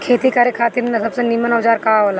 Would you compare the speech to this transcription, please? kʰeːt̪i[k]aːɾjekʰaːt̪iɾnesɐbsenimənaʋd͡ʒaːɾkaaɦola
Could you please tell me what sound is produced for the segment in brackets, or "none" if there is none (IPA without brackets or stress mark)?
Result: k